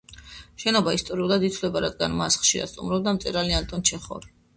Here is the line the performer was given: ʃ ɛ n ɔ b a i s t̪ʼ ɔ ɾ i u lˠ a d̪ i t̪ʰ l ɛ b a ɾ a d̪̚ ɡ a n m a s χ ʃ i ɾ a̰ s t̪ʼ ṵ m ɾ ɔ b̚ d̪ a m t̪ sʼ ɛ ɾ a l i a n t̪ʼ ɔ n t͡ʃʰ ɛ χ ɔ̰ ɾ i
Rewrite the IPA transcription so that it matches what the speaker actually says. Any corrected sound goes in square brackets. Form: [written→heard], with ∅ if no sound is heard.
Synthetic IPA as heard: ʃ ɛ n ɔ b a i s t̪ʼ ɔ ɾ i u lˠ a d̪ i t̪ʰ l ɛ b a ɾ a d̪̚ ɡ a n m a s χ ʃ i ɾ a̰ s t̪ʼ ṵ m ɾ ɔ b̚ d̪ a m t̪ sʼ ɛ ɾ a l i a n t̪ʼ ɔ n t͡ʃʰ ɛ χ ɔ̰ ɾ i